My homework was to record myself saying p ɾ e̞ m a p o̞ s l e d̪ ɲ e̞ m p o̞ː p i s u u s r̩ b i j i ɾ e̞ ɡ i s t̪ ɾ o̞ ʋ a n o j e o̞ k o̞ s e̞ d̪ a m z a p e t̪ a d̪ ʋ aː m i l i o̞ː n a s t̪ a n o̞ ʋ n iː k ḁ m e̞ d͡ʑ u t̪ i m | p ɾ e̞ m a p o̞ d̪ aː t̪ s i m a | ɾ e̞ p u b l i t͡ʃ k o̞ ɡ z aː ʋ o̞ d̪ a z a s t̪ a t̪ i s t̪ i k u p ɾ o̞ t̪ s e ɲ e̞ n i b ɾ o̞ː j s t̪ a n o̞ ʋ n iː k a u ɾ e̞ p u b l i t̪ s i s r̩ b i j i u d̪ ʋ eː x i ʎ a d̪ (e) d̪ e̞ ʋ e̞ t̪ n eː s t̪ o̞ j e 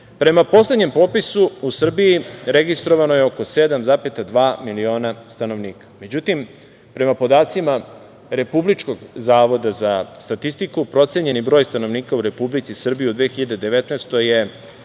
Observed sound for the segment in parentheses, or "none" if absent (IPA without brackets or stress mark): e